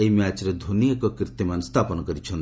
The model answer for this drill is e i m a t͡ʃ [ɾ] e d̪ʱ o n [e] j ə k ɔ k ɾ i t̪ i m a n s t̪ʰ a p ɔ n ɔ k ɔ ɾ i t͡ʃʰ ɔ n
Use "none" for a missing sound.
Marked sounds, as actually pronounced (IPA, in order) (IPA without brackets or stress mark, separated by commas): ɾ, i